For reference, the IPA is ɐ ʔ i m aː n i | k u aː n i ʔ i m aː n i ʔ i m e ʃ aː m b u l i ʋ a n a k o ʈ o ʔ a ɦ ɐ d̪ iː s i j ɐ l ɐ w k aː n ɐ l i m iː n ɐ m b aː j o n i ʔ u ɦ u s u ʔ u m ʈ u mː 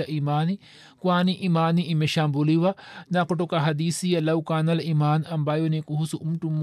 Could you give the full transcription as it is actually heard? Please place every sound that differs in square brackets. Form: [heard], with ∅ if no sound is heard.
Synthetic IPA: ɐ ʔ i m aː n i | k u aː n i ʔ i m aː n i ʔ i m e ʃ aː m b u l i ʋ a n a k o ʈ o [k] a ɦ ɐ d̪ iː s i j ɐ l ɐ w k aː n ɐ l i m [aː] n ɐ m b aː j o n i [k] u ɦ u s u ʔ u m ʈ u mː